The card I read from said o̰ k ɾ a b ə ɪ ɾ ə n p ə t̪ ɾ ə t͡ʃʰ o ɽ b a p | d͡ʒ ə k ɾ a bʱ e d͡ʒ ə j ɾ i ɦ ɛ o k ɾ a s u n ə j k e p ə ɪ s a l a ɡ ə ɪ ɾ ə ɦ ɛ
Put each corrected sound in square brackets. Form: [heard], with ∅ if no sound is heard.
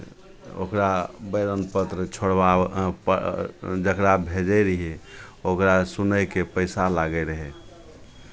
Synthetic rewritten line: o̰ k ɾ a b ə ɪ ɾ ə n p ə t̪ ɾ ə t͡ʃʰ o ɽ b a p | d͡ʒ ə k ɾ a bʱ e d͡ʒ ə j ɾ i ɦ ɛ o k ɾ a s u n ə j k e p ə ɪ s a l a ɡ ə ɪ ɾ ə ɦ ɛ